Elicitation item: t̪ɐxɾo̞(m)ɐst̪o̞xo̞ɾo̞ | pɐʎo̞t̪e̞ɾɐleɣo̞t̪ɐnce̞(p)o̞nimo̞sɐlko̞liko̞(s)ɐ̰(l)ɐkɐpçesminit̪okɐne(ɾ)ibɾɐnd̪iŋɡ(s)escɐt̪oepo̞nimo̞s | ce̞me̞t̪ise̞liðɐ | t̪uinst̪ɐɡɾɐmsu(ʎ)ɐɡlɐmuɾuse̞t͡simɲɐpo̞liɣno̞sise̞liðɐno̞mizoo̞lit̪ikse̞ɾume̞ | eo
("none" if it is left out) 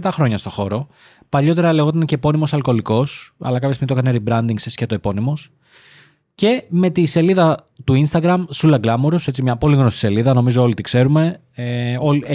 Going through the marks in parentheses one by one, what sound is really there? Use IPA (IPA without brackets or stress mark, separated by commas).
ɲ, p, s, l, ɾ, s, l